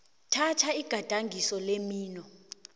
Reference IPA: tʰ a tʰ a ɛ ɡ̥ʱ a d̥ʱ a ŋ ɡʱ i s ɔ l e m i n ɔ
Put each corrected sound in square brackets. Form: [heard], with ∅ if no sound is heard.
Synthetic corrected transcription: tʰ a tʰ a [i] ɡ̥ʱ a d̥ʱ a ŋ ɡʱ i s ɔ l e m [iː] n ɔ